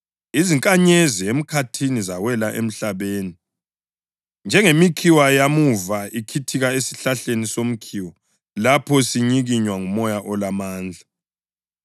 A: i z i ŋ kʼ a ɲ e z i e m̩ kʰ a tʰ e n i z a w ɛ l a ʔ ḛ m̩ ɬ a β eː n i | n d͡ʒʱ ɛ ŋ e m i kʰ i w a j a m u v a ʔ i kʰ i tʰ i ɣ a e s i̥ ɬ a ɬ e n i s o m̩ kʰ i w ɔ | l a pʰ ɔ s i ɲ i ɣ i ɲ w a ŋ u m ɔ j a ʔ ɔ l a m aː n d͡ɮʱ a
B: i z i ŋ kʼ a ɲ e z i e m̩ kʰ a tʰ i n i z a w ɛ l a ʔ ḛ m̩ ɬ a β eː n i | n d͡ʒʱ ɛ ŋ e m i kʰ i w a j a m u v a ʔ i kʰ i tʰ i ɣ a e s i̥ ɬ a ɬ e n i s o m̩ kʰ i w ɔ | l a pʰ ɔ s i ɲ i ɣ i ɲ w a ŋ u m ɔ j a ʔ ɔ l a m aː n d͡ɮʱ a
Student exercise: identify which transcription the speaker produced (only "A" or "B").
B